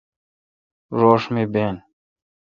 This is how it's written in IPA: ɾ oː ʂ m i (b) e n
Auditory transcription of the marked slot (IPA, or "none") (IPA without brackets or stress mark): b